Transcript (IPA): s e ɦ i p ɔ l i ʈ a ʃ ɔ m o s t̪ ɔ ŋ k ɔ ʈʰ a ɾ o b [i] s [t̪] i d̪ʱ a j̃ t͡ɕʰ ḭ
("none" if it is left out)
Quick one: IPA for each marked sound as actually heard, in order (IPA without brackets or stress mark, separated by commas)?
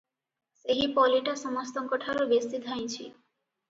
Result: e, t̪